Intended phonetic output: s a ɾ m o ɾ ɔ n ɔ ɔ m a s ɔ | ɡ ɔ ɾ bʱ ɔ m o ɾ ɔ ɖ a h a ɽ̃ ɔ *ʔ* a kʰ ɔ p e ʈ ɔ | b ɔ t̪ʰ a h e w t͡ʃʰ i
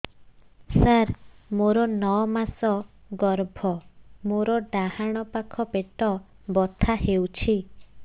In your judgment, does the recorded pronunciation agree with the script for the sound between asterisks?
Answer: no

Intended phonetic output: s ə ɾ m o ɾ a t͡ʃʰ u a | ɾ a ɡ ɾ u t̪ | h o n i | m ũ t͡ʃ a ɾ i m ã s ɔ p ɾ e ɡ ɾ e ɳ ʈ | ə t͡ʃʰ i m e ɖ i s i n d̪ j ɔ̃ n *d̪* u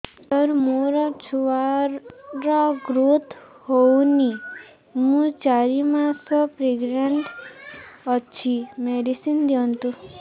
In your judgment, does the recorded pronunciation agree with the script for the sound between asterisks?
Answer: no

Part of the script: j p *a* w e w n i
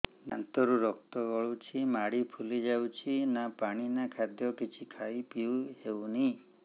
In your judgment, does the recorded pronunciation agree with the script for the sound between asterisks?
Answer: no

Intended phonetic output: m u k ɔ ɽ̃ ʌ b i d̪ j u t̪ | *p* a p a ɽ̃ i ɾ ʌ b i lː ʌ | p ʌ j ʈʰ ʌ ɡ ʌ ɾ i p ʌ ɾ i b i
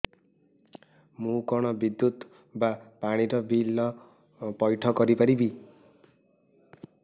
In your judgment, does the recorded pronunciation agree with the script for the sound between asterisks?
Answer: no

